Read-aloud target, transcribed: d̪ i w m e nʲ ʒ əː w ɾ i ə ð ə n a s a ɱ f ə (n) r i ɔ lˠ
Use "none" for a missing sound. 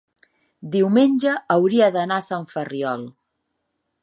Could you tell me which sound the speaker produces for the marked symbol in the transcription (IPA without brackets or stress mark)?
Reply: none